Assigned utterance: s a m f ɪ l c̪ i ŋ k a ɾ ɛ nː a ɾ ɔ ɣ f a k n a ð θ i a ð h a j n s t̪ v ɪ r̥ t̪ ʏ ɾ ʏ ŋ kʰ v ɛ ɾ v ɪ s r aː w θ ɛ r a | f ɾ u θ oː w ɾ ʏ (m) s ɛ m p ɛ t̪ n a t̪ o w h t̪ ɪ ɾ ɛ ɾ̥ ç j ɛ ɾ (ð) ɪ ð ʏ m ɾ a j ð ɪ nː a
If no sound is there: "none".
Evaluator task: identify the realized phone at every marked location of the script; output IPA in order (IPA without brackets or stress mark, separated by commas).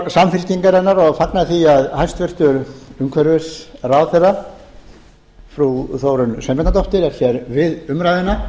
n, v